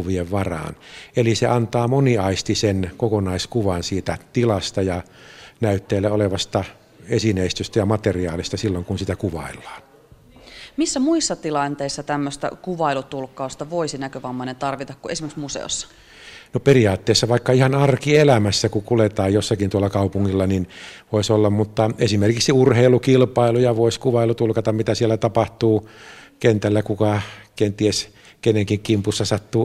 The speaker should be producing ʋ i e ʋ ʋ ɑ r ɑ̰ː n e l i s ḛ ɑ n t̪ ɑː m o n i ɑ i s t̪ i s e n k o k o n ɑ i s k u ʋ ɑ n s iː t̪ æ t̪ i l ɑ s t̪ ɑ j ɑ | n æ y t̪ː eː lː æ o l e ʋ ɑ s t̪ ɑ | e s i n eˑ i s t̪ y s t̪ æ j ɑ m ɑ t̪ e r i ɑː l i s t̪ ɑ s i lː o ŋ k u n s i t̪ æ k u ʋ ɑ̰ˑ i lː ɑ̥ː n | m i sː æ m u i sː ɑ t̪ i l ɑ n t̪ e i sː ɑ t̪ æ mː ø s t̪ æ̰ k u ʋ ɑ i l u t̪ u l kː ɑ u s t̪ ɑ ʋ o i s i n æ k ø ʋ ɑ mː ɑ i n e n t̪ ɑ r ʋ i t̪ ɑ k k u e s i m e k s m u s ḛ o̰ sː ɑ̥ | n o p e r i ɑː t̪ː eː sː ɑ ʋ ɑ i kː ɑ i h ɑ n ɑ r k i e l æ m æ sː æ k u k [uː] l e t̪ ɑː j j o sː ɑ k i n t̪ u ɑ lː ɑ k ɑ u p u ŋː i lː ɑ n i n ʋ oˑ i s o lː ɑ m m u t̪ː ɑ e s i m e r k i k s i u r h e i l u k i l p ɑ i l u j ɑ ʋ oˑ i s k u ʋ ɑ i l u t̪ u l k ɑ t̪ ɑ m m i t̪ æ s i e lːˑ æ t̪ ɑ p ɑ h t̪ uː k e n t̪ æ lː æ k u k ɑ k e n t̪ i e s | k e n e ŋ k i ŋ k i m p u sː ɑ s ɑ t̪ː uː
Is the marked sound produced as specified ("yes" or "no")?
no